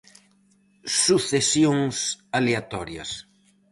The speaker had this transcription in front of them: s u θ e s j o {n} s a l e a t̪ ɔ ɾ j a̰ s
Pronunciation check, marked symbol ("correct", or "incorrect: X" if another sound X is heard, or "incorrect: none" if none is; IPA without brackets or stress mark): incorrect: ŋ